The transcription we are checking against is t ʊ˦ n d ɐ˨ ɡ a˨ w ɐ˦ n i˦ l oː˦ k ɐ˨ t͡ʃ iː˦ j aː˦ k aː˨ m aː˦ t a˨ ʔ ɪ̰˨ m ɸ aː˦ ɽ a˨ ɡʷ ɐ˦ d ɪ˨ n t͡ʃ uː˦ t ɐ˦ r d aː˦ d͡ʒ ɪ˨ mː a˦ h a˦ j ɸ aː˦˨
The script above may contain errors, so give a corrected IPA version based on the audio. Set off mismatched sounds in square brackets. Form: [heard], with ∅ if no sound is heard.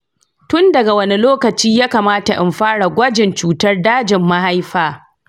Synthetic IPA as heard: t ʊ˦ n d ɐ˨ ɡ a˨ w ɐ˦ n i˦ l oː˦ k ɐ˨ t͡ʃ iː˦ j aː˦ k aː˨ m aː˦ t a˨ ʔ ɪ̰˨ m ɸ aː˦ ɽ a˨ ɡʷ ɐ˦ [d͡ʒ] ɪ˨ n t͡ʃ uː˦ t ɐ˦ r d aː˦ d͡ʒ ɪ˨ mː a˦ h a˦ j ɸ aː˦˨